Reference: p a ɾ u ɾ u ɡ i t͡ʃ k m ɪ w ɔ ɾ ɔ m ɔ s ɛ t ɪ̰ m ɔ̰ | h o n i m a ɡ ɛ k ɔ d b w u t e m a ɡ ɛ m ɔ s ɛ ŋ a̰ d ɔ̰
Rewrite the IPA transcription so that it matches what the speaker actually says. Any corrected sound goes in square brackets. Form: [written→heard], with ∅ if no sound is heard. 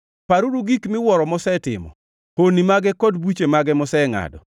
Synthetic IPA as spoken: p a ɾ u ɾ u ɡ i [t͡ʃ→∅] k m ɪ w ɔ ɾ ɔ m ɔ s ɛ t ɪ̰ m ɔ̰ | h o n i m a ɡ ɛ k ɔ d b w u [t→t͡ʃ] e m a ɡ ɛ m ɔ s ɛ ŋ a̰ d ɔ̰